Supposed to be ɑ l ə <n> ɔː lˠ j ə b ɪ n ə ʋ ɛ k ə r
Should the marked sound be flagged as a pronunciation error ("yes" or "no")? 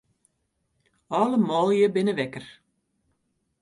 yes